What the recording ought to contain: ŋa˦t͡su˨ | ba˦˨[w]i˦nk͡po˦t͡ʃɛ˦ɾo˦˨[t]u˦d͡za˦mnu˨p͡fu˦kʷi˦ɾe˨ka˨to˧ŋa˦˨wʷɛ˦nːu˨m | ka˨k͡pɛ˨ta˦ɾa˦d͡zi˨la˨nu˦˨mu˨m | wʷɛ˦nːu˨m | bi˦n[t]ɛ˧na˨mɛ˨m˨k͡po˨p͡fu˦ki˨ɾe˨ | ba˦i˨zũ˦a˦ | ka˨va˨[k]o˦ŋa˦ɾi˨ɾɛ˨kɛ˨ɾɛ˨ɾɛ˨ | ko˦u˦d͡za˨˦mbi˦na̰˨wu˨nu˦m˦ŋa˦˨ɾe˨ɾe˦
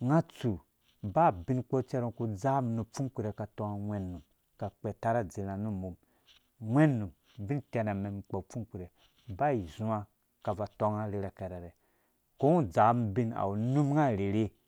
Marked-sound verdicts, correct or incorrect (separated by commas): incorrect, incorrect, correct, incorrect